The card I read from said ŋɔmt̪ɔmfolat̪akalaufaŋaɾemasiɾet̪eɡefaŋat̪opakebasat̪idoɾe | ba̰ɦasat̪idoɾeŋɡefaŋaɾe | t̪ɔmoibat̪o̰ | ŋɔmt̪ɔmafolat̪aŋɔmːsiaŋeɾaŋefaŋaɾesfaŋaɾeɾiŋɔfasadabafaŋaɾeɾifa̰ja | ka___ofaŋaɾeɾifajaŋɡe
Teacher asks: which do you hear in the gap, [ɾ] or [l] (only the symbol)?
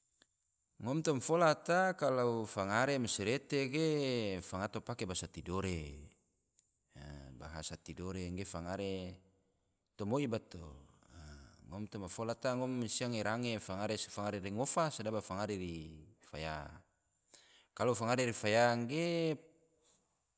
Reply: l